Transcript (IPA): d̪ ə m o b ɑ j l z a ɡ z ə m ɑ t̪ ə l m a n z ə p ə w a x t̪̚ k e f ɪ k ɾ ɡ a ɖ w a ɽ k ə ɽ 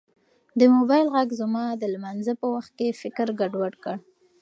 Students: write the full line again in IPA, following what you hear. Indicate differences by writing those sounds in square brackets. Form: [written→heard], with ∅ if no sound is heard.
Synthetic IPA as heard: d̪ ə m o b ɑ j l [z→ɣ] a ɡ z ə m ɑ [t̪→d̪] ə l m a n z ə p ə w a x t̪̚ k e f ɪ k ɾ ɡ a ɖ w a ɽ k ə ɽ